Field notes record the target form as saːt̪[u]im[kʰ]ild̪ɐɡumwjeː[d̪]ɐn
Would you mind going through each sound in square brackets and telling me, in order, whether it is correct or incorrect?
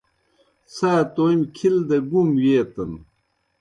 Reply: incorrect, correct, incorrect

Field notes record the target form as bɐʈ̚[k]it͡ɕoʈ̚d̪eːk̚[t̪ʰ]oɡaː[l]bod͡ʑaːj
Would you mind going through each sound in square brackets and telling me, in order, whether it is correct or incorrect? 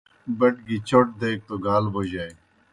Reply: incorrect, incorrect, correct

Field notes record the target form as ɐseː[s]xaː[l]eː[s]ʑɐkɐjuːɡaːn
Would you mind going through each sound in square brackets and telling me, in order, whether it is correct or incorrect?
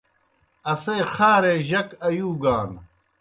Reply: incorrect, incorrect, incorrect

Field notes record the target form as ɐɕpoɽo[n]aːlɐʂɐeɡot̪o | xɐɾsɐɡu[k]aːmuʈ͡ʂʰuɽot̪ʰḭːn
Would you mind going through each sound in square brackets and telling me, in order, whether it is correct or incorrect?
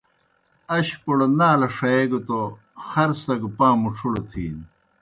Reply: correct, incorrect

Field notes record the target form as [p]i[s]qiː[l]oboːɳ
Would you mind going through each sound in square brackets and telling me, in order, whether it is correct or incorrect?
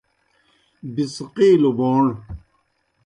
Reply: incorrect, correct, correct

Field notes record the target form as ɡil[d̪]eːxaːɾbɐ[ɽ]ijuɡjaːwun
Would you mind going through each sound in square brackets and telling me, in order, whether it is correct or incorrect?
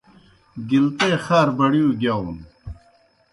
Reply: incorrect, correct

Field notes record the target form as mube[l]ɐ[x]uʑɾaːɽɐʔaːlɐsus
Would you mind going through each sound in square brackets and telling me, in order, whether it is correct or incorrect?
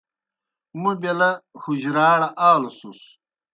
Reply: correct, incorrect

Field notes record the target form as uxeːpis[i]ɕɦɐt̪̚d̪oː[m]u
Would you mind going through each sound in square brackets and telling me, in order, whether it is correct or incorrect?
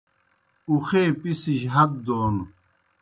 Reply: correct, incorrect

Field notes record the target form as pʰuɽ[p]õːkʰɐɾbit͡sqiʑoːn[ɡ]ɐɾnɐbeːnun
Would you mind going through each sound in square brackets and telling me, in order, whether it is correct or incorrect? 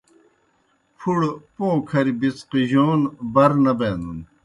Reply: correct, incorrect

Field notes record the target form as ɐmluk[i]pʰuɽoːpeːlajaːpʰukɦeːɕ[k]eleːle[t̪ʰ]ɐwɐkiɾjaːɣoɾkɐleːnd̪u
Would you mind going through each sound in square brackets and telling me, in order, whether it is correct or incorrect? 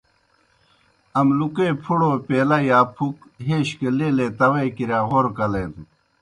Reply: incorrect, correct, incorrect

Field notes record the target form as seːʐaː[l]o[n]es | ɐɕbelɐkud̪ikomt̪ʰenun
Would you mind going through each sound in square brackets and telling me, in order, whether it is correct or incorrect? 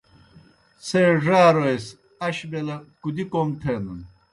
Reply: incorrect, incorrect

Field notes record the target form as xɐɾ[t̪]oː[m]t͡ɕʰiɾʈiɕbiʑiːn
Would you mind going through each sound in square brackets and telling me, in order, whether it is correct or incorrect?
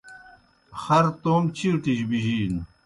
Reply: correct, correct

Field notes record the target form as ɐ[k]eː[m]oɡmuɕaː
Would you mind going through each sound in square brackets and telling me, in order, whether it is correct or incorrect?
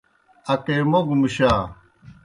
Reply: correct, correct

